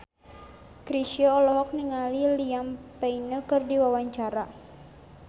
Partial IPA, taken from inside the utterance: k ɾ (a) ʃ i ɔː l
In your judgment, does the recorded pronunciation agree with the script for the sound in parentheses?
no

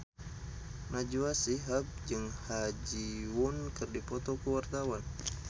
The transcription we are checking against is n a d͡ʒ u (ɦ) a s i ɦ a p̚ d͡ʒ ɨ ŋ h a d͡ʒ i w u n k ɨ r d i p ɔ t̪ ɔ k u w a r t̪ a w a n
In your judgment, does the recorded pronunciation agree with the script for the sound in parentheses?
no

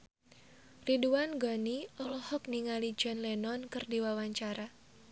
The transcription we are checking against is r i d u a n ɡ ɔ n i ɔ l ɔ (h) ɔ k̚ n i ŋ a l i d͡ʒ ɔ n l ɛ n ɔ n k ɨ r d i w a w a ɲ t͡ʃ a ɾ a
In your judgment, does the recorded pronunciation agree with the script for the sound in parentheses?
yes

